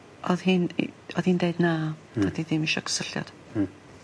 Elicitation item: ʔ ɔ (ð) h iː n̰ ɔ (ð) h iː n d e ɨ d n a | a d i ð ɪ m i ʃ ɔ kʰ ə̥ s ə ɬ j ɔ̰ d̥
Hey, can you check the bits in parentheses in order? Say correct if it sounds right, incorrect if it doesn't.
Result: correct, correct

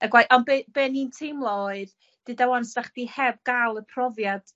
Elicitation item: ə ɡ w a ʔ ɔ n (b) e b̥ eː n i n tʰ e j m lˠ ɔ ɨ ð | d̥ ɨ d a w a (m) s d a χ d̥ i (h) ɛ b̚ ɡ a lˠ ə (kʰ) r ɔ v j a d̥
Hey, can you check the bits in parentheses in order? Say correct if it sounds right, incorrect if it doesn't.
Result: correct, incorrect: n, correct, incorrect: pʰ

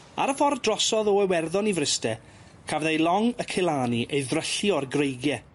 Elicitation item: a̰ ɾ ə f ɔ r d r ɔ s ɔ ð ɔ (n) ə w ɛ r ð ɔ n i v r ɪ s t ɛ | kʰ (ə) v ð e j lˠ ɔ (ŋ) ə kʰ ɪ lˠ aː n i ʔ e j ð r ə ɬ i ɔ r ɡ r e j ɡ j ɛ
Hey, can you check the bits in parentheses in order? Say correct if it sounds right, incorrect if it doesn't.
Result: incorrect: none, incorrect: a, correct

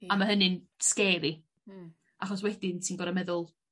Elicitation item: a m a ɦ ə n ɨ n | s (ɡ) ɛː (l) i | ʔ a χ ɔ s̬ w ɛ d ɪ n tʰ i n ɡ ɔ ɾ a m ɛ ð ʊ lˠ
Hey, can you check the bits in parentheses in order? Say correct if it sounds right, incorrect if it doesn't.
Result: incorrect: k, incorrect: ɾ

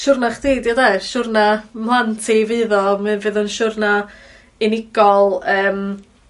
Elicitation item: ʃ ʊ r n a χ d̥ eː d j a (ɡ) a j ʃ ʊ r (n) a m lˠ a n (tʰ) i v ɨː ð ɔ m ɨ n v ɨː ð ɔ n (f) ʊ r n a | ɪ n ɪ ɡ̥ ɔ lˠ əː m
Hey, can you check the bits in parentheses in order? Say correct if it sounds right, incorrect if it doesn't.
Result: incorrect: d, correct, correct, incorrect: ʃ

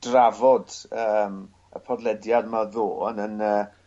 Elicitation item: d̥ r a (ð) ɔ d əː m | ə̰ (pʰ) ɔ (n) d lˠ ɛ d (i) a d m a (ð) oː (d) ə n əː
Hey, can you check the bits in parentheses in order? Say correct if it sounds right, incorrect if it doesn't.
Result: incorrect: v, correct, incorrect: none, incorrect: j, correct, incorrect: n

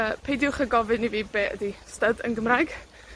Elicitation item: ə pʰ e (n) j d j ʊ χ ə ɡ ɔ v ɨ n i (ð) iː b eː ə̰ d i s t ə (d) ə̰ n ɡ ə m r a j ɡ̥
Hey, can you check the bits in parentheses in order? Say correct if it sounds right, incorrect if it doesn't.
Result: incorrect: none, incorrect: v, correct

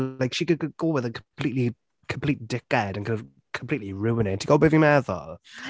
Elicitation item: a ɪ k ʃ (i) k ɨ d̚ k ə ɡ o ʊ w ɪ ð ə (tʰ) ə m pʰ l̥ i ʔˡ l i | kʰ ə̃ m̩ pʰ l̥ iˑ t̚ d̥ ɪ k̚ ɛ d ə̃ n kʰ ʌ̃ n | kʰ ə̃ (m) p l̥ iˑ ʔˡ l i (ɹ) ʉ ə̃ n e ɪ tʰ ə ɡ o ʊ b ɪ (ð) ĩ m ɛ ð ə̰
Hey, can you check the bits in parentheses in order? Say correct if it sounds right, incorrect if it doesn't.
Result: correct, incorrect: kʰ, correct, correct, incorrect: v

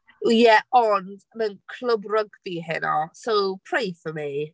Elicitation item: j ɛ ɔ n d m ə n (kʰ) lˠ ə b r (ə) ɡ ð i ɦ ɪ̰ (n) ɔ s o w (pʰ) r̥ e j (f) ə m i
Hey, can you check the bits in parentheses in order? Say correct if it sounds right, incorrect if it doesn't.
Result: correct, correct, correct, correct, correct

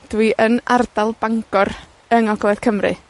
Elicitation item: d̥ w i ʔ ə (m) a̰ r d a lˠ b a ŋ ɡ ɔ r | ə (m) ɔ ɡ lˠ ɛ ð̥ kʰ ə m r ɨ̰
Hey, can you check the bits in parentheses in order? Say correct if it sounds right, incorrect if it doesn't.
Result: incorrect: n, incorrect: ŋ

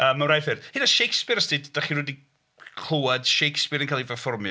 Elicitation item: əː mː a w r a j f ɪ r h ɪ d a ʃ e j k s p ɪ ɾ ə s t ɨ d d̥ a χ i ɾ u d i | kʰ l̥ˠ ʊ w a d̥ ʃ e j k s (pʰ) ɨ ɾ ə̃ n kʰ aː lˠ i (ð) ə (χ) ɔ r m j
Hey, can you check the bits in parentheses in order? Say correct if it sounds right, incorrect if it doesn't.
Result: incorrect: p, incorrect: v, incorrect: f

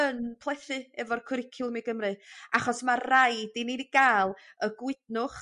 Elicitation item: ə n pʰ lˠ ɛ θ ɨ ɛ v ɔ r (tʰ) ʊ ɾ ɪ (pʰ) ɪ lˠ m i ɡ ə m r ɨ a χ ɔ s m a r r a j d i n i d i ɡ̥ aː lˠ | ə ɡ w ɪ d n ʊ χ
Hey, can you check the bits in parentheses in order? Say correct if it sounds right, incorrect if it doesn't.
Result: incorrect: kʰ, incorrect: kʰ

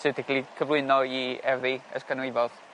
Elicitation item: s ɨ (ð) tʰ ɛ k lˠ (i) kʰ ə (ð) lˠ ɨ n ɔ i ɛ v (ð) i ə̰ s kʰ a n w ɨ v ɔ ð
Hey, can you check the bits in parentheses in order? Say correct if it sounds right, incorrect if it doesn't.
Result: incorrect: none, correct, incorrect: v, correct

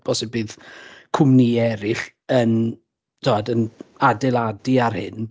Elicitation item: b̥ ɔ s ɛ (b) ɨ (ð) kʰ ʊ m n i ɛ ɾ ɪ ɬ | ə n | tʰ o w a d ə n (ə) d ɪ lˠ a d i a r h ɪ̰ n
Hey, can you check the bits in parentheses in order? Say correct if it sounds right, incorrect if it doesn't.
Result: correct, correct, incorrect: a

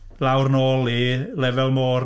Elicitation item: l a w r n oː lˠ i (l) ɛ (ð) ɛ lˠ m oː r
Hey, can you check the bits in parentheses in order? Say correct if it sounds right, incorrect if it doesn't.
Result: correct, incorrect: v

